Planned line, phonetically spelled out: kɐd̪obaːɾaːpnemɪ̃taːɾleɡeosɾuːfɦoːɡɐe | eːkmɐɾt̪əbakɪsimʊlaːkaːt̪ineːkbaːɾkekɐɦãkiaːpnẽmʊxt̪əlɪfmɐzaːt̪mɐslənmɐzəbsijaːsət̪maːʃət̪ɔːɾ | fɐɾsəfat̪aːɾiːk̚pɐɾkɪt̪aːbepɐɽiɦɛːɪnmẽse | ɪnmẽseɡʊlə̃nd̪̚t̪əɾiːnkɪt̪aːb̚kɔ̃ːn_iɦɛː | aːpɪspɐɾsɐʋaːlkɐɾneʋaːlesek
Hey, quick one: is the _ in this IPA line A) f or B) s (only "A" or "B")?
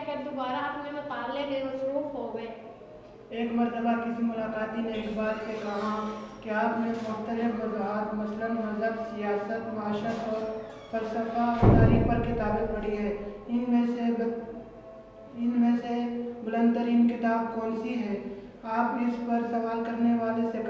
B